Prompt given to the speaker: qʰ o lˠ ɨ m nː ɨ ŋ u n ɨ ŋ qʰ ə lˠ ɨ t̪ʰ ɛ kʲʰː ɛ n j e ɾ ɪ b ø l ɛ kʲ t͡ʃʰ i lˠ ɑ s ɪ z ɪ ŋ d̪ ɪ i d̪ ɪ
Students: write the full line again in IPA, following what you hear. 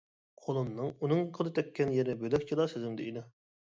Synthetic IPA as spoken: qʰ o lˠ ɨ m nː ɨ ŋ u n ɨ ŋ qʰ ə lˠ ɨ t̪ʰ ɛ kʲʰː ɛ n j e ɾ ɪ b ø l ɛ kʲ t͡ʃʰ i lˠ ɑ s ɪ z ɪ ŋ d̪ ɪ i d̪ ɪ